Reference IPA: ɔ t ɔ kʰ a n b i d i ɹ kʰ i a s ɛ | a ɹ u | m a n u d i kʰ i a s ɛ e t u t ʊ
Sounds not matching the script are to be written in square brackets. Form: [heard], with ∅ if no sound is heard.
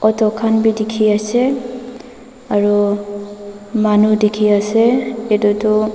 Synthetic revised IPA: ɔ t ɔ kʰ a n b i d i [∅] kʰ i a s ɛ | a ɹ u | m a n u d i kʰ i a s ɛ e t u t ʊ